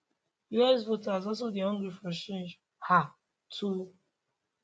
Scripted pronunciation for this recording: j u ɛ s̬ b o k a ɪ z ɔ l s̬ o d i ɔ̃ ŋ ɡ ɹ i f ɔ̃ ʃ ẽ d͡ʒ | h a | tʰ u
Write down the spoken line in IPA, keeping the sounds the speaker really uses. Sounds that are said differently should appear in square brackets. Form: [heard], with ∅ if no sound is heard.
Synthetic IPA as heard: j u ɛ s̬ [v] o [t] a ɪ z ɔ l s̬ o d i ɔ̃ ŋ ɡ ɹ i f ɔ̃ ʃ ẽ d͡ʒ | h a | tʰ u